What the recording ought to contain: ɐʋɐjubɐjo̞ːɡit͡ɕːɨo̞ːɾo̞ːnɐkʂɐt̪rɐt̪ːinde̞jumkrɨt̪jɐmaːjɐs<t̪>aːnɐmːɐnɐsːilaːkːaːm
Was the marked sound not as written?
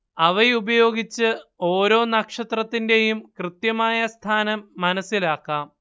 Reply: yes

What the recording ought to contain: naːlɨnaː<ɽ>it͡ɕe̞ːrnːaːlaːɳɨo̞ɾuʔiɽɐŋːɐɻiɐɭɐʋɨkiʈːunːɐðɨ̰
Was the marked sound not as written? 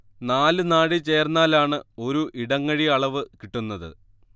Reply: no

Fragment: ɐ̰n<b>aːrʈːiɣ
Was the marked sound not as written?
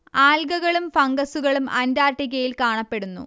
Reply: yes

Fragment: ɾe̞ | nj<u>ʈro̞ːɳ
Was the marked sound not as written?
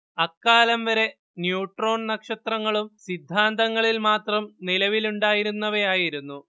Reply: yes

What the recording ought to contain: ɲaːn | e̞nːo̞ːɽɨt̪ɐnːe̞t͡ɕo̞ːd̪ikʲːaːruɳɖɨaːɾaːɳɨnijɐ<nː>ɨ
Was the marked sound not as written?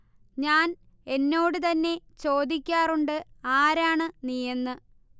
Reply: no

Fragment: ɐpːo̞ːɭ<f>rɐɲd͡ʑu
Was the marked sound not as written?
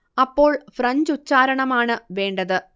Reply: no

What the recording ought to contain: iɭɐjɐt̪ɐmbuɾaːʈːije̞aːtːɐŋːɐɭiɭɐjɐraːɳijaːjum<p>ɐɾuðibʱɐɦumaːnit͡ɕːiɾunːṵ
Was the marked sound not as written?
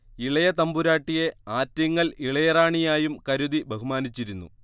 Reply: yes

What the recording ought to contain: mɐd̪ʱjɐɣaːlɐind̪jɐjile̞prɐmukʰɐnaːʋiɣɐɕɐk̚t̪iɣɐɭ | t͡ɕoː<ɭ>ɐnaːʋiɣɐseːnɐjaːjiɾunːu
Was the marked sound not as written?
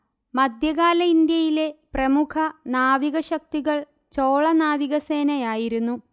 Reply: no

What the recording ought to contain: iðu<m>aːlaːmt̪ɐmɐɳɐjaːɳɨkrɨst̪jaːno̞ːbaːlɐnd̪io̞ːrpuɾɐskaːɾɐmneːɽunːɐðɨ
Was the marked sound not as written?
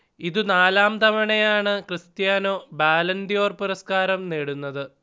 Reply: yes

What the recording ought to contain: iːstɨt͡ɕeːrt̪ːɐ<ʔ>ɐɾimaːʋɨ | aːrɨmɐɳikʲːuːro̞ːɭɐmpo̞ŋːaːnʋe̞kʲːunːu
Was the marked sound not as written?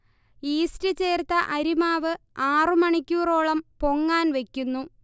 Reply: no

